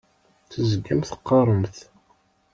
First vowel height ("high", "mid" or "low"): mid